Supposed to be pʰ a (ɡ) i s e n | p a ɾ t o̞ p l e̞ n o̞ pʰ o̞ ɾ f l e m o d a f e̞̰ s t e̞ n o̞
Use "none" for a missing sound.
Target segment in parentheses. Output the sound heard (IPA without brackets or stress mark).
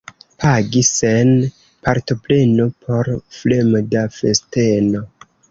ɡ